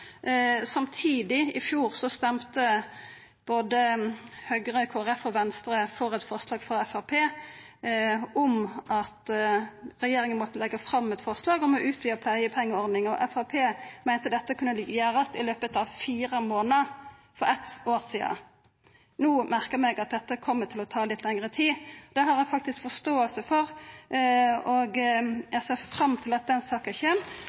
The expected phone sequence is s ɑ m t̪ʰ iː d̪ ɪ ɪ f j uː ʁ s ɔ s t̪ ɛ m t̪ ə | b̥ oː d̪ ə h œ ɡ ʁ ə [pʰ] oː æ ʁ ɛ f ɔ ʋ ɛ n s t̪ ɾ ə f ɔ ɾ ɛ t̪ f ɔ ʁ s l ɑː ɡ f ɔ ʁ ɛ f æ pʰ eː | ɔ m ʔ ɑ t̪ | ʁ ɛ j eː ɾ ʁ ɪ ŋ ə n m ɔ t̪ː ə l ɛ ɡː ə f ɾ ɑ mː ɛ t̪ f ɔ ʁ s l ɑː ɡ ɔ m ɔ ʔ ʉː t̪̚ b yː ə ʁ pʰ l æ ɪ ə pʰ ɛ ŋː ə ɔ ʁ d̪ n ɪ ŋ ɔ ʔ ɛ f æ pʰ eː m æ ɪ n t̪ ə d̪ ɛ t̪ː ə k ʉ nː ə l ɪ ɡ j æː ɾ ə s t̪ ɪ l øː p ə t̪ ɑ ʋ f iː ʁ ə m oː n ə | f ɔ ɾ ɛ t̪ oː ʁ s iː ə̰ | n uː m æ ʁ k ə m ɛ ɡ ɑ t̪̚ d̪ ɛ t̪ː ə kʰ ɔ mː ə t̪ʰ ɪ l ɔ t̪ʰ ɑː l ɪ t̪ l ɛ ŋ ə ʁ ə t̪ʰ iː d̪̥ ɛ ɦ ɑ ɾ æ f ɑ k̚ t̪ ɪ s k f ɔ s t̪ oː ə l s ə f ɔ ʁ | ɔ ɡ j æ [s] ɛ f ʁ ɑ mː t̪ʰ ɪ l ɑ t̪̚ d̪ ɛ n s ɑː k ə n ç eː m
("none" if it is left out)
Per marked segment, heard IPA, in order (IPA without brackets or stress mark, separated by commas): kʰ, s